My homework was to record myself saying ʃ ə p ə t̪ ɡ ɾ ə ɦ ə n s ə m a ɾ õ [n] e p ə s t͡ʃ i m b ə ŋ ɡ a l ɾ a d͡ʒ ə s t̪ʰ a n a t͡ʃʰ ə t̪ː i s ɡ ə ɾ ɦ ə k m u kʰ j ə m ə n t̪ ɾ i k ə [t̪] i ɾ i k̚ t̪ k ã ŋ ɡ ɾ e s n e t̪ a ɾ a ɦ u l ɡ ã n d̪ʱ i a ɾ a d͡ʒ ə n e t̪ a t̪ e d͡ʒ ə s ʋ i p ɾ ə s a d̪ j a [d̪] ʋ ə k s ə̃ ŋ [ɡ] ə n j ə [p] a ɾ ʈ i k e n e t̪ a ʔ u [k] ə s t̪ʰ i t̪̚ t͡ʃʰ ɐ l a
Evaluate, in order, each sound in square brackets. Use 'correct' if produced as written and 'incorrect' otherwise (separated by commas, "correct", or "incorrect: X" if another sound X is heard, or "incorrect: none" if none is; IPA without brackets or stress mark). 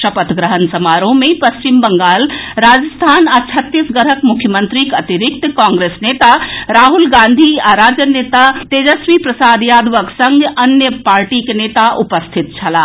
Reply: incorrect: m, correct, correct, correct, correct, incorrect: p